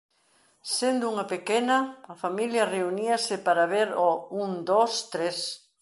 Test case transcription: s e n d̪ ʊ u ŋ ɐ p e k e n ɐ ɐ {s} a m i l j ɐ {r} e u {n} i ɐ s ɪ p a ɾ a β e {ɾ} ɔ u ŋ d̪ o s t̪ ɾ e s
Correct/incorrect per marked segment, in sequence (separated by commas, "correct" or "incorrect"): incorrect, correct, correct, correct